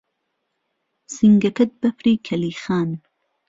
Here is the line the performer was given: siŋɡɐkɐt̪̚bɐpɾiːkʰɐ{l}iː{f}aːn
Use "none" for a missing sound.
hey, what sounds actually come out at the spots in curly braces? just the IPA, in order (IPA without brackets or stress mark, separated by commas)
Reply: l, x